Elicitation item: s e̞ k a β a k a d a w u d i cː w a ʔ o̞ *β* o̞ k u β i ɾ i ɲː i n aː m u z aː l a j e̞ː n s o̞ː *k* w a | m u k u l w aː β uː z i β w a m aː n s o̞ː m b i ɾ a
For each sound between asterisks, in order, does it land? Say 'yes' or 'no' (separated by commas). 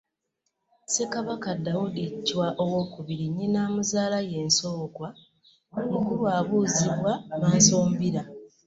no, yes